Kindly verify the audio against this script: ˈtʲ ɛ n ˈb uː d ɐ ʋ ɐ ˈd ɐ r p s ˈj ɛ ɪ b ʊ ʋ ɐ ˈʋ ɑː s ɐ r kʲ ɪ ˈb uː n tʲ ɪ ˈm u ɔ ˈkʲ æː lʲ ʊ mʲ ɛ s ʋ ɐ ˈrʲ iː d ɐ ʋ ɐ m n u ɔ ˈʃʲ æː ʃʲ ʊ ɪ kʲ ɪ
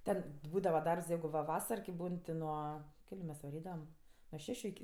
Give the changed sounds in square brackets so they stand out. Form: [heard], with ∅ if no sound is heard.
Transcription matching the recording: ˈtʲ ɛ n ˈb uː d ɐ ʋ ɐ ˈd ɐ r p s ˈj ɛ ɪ [ɡ] ʊ ʋ ɐ ˈʋ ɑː s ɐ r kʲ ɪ ˈb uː n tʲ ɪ [ˈn] u ɔ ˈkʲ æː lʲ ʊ mʲ ɛ s ʋ ɐ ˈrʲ iː d ɐ ʋ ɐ m n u ɔ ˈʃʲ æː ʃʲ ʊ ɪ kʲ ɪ